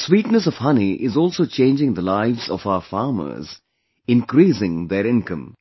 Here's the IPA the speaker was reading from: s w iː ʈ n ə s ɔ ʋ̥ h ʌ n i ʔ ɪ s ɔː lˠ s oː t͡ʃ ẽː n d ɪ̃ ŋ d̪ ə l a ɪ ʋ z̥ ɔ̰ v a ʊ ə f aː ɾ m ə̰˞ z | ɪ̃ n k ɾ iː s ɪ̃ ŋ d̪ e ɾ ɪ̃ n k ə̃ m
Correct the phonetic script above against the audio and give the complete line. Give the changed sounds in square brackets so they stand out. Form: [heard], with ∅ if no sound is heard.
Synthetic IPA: s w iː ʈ n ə s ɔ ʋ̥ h ʌ n i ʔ ɪ [z] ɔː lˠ s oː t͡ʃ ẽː n [d͡ʒ] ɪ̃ ŋ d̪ ə l a ɪ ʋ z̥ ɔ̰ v a ʊ ə f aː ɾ m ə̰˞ z | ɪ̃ n k ɾ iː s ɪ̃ ŋ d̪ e ɾ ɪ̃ n k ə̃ m